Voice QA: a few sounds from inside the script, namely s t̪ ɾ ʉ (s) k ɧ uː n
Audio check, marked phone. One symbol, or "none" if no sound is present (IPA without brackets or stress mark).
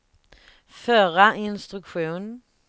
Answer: none